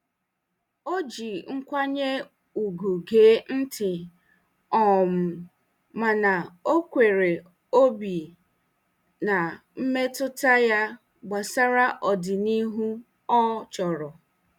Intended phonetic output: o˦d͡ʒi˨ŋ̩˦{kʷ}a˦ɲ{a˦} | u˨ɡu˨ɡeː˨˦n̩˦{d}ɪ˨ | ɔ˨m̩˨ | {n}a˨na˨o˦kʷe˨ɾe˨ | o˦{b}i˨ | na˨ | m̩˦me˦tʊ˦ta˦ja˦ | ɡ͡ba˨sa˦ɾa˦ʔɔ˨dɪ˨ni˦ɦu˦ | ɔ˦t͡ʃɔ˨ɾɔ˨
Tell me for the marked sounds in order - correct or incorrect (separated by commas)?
correct, incorrect, incorrect, incorrect, correct